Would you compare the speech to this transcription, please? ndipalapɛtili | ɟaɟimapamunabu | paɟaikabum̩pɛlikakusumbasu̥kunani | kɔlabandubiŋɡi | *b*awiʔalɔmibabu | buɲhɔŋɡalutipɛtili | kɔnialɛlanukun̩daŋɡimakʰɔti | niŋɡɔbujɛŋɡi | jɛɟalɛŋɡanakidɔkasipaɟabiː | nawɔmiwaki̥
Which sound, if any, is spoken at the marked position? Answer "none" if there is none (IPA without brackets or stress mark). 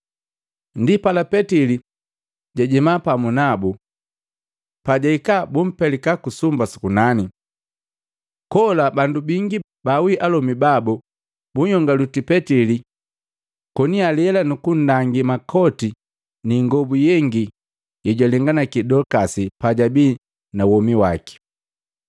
b